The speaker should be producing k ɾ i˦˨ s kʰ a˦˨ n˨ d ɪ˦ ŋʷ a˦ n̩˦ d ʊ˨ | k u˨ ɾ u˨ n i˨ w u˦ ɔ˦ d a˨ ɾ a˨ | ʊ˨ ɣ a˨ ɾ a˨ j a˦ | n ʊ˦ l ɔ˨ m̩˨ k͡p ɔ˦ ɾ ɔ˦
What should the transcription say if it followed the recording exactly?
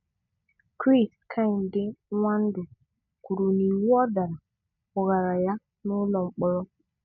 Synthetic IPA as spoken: k ɾ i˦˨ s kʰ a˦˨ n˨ d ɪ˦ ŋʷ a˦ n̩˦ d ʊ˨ | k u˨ ɾ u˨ n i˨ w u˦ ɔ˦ d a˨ ɾ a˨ | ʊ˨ ɣ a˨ ɾ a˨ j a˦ | n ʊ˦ l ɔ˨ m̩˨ k͡p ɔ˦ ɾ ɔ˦